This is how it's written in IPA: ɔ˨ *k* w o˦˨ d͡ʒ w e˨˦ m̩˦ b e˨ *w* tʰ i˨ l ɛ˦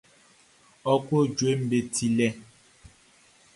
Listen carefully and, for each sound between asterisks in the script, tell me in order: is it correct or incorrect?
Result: correct, incorrect: none

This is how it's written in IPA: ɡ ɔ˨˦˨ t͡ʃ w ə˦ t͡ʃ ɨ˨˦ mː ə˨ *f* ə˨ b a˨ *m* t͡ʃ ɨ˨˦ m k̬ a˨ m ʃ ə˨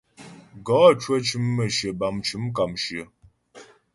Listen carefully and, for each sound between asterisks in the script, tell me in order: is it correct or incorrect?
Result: incorrect: ʃ, correct

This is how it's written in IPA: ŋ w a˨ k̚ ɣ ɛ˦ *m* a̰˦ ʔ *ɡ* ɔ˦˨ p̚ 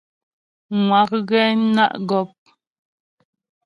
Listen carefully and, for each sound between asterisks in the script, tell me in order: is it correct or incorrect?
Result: incorrect: n, correct

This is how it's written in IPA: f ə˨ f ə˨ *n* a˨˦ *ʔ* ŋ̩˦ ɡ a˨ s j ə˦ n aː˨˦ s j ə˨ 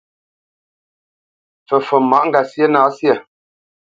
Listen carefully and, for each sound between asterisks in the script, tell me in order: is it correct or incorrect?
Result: incorrect: m, correct

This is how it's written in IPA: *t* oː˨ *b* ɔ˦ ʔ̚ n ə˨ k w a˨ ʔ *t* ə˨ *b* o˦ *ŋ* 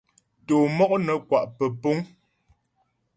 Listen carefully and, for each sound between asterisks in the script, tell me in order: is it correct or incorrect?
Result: correct, incorrect: m, incorrect: p, incorrect: p, correct

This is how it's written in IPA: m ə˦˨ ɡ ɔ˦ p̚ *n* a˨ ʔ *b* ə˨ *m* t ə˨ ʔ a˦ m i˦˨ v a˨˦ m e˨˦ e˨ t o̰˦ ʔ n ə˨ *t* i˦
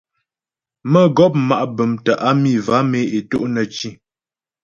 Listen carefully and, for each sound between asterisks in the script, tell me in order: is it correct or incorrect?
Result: incorrect: m, correct, correct, incorrect: t͡ʃ

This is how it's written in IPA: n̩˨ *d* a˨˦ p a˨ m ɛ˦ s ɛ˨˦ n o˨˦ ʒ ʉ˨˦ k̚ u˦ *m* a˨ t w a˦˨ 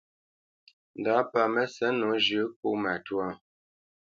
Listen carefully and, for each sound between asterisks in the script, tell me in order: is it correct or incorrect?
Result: correct, correct

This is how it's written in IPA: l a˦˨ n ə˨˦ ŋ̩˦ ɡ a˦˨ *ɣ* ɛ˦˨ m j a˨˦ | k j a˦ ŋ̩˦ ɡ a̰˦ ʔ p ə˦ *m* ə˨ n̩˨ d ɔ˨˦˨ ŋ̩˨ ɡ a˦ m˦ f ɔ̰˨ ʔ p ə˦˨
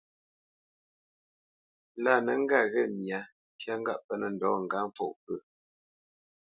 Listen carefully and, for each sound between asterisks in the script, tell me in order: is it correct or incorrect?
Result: correct, incorrect: n

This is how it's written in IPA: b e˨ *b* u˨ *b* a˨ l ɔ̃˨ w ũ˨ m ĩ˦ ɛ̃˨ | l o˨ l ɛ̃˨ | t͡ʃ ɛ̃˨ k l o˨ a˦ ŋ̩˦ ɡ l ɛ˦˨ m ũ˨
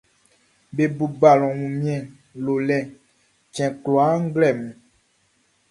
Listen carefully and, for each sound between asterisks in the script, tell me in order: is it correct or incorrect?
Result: correct, correct

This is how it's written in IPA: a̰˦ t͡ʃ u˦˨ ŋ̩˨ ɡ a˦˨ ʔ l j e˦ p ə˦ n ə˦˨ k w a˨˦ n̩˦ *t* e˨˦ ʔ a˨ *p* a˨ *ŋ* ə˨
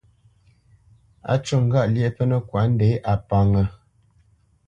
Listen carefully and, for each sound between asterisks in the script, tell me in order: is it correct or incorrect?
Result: incorrect: d, correct, correct

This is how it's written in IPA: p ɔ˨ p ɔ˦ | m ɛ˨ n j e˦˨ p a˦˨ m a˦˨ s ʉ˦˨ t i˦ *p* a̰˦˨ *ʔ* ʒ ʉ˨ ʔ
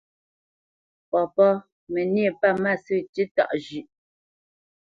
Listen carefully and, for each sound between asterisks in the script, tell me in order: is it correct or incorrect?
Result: incorrect: t, correct

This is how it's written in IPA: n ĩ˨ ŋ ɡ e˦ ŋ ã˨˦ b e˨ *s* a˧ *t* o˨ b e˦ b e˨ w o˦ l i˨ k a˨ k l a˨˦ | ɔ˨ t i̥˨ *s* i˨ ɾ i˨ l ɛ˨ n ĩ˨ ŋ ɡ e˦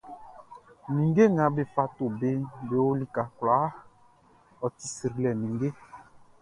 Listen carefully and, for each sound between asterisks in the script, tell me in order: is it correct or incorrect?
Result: incorrect: f, correct, correct

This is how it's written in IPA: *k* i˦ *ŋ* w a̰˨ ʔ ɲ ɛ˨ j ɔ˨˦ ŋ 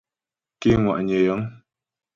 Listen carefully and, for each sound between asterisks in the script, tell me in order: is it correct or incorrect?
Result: correct, correct

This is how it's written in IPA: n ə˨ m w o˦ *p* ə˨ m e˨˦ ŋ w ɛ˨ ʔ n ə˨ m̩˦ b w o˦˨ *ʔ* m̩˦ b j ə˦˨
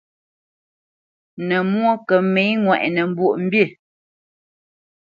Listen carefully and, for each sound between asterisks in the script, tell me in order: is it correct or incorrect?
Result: incorrect: k, correct

